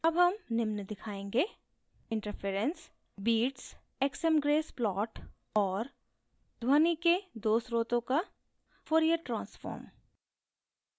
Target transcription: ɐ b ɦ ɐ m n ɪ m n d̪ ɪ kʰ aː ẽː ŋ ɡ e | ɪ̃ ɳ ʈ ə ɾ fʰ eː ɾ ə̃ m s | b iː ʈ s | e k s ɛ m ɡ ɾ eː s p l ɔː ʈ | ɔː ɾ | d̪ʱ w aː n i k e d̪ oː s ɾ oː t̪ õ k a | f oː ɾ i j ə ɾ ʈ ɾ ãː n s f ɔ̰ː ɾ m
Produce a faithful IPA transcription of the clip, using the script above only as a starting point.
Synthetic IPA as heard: ɐ b ɦ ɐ m n ɪ m n d̪ ɪ kʰ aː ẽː ŋ ɡ e | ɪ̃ ɳ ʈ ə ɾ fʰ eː ɾ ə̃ n s | b iː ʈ s | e k s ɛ m ɡ ɾ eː s p l ɔː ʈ | ɔː ɾ | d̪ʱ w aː n i k e d̪ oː s ɾ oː t̪ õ k a | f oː ɾ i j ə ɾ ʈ ɾ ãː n s f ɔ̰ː ɾ m